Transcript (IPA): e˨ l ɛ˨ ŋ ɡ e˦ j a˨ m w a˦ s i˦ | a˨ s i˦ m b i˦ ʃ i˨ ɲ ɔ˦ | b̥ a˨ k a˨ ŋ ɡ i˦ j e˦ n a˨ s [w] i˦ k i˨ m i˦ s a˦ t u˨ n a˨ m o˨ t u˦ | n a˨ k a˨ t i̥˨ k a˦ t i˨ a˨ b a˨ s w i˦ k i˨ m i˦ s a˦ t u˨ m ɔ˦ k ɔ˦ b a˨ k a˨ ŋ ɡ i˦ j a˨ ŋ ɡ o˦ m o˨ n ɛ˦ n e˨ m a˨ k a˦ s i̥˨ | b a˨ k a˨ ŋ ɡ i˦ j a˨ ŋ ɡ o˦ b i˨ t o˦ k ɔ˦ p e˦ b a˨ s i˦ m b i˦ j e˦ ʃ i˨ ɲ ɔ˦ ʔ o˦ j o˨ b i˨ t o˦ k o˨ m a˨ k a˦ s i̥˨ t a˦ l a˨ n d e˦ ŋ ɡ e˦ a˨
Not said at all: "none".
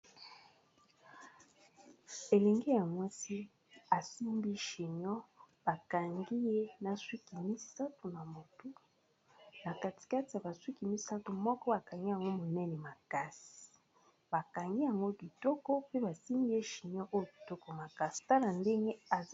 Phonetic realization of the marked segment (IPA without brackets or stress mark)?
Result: w